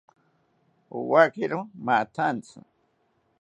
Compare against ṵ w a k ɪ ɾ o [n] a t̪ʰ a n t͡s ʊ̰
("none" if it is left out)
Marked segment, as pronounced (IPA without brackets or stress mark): m